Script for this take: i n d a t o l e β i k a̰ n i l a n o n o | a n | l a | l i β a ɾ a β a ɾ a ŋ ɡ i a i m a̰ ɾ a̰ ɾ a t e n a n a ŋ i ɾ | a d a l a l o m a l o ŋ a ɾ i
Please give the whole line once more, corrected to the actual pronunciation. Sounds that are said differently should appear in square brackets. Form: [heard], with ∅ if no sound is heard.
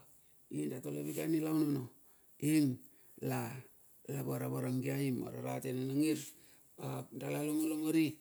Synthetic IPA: i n d a t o l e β i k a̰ n i l a n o n o | [i] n | l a | l [a] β a ɾ a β a ɾ a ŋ ɡ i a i m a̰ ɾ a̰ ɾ a t e n a n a ŋ i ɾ | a d a l a l o [ŋ] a l o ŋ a ɾ i

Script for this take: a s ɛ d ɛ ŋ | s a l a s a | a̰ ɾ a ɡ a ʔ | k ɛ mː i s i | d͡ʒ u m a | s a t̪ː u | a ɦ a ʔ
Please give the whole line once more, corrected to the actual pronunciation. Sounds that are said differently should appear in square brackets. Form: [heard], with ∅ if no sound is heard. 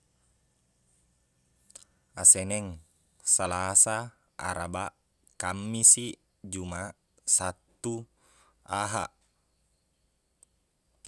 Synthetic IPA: a s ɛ [n] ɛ ŋ | s a l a s a | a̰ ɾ a [b] a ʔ | k [a] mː i s i | d͡ʒ u m a | s a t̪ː u | a ɦ a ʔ

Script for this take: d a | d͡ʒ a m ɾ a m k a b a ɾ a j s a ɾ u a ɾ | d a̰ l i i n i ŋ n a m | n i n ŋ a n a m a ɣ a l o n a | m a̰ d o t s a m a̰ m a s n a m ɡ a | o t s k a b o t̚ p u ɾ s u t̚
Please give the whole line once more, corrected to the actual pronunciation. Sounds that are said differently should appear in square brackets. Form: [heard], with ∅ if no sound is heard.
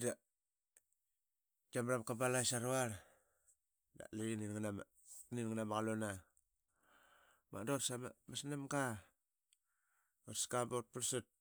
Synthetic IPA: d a | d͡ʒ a m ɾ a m k a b a [l] a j s a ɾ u a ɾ | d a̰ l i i n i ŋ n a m | n i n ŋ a n a m a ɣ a l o n a | m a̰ d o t s a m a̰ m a s n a m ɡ a | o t s k a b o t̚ p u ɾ s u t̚

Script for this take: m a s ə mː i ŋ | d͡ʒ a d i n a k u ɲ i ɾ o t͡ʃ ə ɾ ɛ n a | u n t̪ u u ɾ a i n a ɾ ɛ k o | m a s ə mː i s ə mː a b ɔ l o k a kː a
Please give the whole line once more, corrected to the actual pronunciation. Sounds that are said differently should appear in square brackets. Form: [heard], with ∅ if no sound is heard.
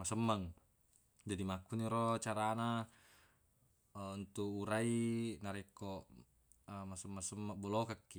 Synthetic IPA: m a s ə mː [a] ŋ | d͡ʒ a d i [m] a k u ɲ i ɾ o t͡ʃ [a] ɾ [a] n a | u n t̪ u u ɾ a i n a ɾ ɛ k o | m a s ə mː [a] s ə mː a b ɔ l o k a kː [i]

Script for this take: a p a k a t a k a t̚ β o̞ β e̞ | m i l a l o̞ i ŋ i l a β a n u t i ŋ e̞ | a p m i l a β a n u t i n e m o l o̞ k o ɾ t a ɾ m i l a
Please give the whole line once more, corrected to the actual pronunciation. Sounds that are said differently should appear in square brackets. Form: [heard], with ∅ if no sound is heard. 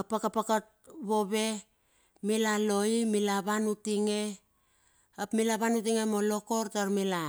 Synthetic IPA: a p a k a [p] a k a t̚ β o̞ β e̞ | m i l a l o̞ i [m] i l a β a n u t i ŋ e̞ | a p m i l a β a n u t i [ŋ] e m o l o̞ k o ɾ t a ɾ m i l a

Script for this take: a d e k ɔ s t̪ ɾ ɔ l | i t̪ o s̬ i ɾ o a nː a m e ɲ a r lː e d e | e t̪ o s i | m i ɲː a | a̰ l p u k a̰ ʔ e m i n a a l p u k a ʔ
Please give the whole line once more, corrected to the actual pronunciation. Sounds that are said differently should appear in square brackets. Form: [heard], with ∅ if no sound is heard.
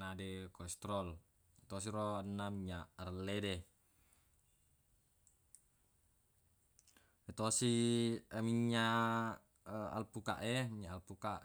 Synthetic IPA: a d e k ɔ s t̪ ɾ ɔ l | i t̪ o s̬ i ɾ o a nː a m [i] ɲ a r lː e d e | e t̪ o s i | m i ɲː a | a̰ l p u k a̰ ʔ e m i [ɲ] a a l p u k a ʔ

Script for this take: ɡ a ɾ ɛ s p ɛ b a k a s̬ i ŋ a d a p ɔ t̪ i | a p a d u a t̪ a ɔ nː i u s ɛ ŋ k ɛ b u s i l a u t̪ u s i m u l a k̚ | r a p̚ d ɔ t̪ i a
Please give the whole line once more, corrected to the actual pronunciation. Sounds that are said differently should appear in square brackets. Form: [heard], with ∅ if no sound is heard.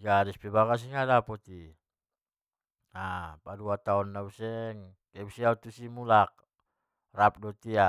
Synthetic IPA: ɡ a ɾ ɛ s p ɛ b a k a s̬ i ŋ a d a p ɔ t̪ i | a p a d u a t̪ a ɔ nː [a] u s ɛ ŋ k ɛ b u s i [∅] a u t̪ u s i m u l a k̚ | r a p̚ d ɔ t̪ i a

